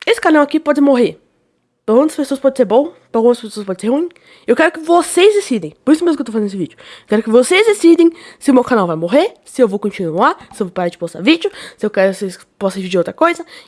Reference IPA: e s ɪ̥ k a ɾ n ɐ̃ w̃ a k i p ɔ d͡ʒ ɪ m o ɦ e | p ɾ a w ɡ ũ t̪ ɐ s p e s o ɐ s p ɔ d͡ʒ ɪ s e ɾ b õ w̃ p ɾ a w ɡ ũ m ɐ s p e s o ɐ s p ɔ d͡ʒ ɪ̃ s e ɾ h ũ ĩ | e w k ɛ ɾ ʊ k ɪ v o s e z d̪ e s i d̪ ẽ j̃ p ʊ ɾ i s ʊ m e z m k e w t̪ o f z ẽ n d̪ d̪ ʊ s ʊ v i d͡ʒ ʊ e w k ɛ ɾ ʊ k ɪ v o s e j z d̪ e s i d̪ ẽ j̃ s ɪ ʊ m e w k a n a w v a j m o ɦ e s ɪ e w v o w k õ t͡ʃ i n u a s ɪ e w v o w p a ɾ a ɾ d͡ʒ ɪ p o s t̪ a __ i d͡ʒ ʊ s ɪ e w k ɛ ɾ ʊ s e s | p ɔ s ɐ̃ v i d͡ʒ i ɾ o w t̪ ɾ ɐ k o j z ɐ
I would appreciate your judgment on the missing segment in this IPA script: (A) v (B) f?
A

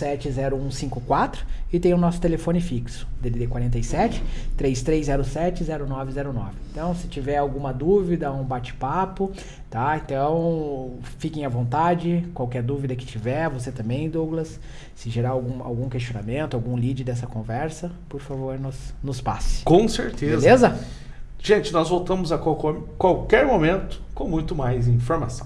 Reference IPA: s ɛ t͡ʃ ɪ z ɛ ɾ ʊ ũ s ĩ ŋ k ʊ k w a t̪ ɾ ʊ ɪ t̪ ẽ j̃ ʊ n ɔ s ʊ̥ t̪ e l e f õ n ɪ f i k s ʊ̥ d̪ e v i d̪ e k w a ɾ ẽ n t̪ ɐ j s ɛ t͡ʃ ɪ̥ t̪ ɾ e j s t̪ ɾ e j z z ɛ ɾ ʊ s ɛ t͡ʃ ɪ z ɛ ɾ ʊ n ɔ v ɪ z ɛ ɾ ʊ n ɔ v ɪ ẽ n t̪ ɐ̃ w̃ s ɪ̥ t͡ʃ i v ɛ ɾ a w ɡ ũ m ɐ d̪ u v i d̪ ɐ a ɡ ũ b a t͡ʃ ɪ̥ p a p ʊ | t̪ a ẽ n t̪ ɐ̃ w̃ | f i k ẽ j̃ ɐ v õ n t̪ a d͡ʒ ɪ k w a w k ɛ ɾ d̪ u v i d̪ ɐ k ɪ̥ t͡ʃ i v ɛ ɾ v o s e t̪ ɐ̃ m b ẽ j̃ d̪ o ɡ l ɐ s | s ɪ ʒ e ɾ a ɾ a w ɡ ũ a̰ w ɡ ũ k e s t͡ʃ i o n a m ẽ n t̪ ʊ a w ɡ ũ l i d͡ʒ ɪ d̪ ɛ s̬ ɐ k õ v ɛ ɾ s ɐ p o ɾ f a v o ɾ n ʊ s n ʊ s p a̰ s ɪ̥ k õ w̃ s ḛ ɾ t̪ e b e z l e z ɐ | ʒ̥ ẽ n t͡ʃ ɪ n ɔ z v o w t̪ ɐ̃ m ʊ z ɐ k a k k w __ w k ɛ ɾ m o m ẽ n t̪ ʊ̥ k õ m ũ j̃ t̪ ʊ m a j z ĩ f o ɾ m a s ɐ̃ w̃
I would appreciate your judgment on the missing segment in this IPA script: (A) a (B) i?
A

